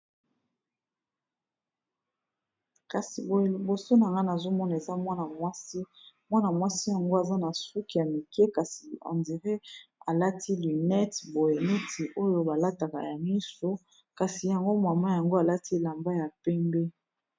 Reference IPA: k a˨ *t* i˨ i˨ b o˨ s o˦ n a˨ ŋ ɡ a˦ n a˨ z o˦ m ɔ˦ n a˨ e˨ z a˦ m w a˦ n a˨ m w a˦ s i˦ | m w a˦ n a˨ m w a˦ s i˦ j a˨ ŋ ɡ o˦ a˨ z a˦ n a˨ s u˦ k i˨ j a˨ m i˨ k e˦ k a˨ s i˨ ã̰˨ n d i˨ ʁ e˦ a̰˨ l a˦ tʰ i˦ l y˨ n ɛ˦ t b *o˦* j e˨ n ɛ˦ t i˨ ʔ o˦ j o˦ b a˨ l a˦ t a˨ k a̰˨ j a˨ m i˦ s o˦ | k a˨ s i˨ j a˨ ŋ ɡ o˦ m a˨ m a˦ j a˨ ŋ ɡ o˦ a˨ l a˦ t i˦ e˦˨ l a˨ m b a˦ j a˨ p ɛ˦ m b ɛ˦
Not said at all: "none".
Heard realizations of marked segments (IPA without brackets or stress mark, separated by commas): s, o˨